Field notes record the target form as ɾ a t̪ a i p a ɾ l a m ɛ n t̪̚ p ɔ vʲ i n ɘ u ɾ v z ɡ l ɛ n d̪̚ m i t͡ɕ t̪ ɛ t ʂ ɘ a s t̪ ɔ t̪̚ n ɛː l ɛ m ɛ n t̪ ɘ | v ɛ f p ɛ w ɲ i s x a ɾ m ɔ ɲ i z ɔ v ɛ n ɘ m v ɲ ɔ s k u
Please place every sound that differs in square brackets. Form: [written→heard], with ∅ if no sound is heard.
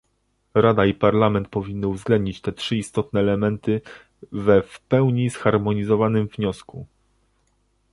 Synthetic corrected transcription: ɾ a [t̪→d̪] a i p a ɾ l a m ɛ n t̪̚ p ɔ vʲ i [n→nː] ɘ u [ɾ→∅] v z ɡ l ɛ n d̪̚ [m→ɲ] i t͡ɕ t̪ ɛ t ʂ ɘ [a→i] s t̪ ɔ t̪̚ n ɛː l ɛ m ɛ n t̪ ɘ | v ɛ f p ɛ w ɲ i s x a ɾ m ɔ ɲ i z ɔ v [ɛ→a] n ɘ m v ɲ ɔ s k u